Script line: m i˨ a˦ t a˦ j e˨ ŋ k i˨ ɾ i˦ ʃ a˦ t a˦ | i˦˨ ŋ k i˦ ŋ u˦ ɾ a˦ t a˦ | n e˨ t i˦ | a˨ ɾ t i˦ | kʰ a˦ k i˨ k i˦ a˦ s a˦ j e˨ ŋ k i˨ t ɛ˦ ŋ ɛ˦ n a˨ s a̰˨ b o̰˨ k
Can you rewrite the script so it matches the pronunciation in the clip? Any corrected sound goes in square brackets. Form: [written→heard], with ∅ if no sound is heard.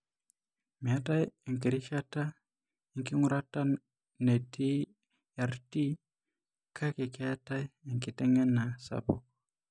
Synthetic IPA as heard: m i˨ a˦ t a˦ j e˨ ŋ k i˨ ɾ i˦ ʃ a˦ t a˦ | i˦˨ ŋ k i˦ ŋ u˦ ɾ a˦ t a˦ | n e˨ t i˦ | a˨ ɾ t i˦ | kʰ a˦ k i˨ k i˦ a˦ [s→t] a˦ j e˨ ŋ k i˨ t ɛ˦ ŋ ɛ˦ n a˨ s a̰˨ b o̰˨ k